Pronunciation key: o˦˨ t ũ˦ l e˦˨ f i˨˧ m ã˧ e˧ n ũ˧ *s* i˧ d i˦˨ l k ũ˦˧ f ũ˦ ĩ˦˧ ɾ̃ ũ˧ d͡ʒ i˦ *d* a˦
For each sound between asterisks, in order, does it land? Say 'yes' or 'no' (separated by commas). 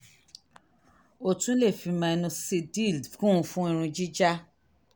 yes, no